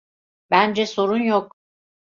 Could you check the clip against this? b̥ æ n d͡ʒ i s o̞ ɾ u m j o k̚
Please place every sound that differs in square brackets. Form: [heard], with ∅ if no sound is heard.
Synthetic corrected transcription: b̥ æ n d͡ʒ [ɛ] s o̞ ɾ u [n] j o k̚

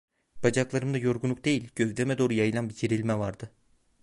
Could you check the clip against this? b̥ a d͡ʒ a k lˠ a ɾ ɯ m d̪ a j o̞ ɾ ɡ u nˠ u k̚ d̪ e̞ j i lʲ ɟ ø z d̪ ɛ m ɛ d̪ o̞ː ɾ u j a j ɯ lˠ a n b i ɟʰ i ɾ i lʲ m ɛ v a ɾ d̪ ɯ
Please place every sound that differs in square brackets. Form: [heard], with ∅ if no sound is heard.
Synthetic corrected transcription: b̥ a d͡ʒ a k lˠ a ɾ ɯ m d̪ a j o̞ ɾ ɡ u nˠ u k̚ d̪ e̞ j i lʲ ɟ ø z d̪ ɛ m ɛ d̪ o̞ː ɾ u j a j ɯ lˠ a n b i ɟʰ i ɾ i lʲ m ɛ v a ɾ d̪ ɯ

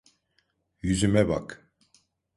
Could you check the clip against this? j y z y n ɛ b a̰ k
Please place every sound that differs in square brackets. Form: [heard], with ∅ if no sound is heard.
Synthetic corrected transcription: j y z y [m] ɛ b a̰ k

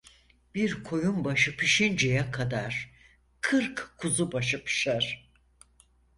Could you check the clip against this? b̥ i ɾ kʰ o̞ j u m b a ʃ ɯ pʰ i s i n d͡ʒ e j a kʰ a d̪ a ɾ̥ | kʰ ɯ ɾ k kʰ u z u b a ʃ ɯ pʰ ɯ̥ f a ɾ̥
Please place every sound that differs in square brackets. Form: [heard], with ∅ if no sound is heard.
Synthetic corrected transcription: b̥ i ɾ kʰ o̞ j u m b a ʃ ɯ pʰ i [ʃ] i n d͡ʒ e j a kʰ a d̪ a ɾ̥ | kʰ ɯ ɾ k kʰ u z u b a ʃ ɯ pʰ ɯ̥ [ʃ] a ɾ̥

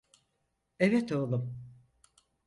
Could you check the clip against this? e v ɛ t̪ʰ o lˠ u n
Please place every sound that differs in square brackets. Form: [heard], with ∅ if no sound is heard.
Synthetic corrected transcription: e v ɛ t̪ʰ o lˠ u [m]

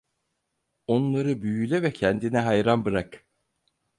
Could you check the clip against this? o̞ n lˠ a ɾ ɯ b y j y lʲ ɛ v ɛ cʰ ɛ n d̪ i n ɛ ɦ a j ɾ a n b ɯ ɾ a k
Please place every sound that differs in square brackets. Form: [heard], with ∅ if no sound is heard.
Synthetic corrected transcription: o̞ n lˠ a ɾ ɯ b y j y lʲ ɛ v ɛ cʰ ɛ n d̪ i n ɛ ɦ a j ɾ a n b ɯ ɾ a k

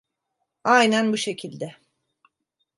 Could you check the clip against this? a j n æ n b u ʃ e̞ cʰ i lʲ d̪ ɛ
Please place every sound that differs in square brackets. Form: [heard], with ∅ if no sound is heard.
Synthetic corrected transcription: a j n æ n b u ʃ e̞ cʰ i lʲ d̪ ɛ

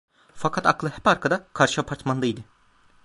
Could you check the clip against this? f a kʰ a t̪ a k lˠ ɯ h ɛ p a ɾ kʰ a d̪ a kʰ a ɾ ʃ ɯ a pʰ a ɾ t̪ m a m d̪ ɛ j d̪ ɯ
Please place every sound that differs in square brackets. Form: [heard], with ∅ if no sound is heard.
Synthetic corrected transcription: f a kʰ a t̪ a k lˠ ɯ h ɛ p a ɾ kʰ a d̪ a kʰ a ɾ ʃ ɯ a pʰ a ɾ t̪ m a [n] d̪ [a] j d̪ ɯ

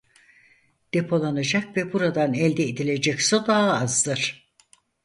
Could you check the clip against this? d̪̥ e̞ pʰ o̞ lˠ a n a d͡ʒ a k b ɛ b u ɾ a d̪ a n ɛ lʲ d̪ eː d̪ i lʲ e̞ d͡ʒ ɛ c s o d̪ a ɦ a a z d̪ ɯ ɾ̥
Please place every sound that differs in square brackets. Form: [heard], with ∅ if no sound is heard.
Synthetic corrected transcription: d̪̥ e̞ pʰ o̞ lˠ a n a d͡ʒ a k [v] ɛ b u ɾ a d̪ a n ɛ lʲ d̪ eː d̪ i lʲ e̞ d͡ʒ ɛ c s o d̪ a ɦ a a z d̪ ɯ ɾ̥

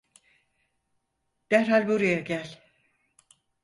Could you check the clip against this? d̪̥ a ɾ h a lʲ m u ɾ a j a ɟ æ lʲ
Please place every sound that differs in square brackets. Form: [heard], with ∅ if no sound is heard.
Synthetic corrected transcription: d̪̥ [æ] ɾ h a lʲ [b] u ɾ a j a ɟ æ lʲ

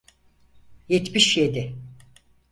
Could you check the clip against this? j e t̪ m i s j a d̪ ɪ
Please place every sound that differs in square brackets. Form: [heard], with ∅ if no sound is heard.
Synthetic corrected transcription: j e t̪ m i [ʃ] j [e] d̪ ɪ

